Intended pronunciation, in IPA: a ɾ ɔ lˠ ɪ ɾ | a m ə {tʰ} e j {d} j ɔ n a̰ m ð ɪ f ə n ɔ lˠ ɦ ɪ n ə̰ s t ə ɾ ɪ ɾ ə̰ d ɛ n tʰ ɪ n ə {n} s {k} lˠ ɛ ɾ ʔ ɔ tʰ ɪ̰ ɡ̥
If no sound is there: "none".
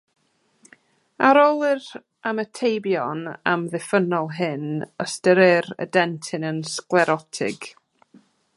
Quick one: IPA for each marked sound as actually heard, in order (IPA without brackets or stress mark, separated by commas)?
tʰ, b, n, k